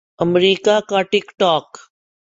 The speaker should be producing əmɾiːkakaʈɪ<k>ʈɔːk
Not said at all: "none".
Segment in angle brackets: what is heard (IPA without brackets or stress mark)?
k